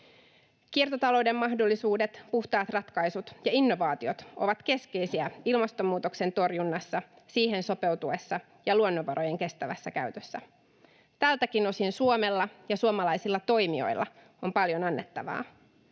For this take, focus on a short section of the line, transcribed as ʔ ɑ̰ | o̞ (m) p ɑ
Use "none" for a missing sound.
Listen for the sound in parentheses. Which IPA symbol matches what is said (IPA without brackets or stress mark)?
m